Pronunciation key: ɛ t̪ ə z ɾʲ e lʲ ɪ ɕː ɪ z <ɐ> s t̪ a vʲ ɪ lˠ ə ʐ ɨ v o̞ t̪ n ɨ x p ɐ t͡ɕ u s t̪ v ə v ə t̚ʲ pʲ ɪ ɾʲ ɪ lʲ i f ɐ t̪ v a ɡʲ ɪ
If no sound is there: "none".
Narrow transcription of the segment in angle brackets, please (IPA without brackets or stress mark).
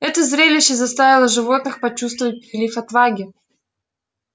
ɐ